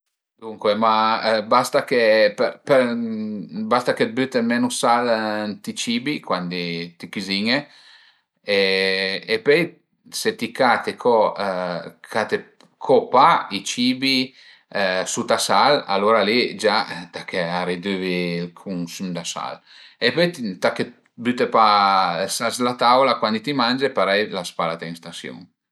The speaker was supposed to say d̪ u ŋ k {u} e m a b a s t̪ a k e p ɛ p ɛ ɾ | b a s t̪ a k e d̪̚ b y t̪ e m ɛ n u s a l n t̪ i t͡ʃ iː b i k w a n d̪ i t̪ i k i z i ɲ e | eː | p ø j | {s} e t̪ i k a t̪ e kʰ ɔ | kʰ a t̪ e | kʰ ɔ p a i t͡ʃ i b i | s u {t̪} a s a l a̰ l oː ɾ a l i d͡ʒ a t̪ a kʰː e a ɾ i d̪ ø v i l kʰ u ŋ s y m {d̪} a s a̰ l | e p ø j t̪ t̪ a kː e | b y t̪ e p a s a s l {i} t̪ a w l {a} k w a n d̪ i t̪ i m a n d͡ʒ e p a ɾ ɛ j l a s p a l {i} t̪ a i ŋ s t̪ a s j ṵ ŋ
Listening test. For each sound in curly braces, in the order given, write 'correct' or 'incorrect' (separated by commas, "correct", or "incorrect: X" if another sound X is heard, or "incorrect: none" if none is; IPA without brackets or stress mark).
incorrect: w, correct, correct, correct, incorrect: a, correct, incorrect: a